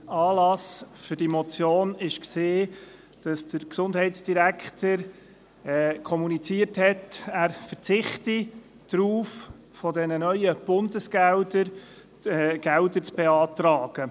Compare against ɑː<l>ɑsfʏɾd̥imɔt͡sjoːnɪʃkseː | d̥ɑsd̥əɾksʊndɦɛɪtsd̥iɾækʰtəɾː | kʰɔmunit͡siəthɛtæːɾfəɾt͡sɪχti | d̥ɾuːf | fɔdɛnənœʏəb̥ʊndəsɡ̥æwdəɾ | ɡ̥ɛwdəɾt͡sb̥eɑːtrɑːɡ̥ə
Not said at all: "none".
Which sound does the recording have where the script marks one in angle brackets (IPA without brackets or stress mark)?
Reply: l